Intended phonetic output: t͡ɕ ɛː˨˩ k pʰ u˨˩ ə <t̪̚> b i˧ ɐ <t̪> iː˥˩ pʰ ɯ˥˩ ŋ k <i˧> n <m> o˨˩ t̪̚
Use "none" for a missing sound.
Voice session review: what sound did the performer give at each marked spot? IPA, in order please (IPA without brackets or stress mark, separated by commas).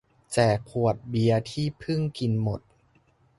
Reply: t̪̚, t̪ʰ, i˧, m